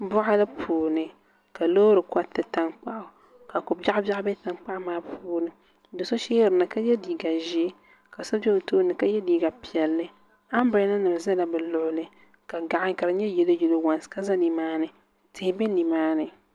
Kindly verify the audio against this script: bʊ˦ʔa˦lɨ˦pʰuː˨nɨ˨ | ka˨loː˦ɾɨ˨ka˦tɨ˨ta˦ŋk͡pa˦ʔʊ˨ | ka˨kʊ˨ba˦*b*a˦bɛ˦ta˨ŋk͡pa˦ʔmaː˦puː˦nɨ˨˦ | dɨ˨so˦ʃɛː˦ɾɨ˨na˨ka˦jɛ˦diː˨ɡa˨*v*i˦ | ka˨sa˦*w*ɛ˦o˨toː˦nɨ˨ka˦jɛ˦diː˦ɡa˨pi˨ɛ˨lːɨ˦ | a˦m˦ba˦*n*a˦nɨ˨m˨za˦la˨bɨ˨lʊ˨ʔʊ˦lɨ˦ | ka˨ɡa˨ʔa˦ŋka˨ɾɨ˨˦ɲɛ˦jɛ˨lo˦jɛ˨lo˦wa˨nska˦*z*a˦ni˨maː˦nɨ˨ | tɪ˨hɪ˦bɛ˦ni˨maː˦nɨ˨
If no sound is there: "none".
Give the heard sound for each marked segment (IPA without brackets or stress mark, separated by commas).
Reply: b, ʒ, b, n, z